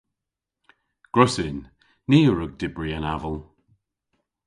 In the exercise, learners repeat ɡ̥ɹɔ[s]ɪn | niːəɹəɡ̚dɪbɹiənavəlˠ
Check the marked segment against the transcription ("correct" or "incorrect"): correct